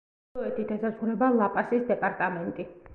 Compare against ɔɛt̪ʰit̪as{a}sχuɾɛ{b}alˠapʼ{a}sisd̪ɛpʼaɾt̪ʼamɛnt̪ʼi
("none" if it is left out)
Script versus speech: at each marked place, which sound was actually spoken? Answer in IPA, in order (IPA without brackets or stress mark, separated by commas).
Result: a, b, a